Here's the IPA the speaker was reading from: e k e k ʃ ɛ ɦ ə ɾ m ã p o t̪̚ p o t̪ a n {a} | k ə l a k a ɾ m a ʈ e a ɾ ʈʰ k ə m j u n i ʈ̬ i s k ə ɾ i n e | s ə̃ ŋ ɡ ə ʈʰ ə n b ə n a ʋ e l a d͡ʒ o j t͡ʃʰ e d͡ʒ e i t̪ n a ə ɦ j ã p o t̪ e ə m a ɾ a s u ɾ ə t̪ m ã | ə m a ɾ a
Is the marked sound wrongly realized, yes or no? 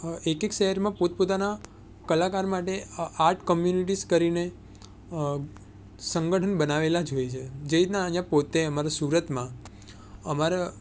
no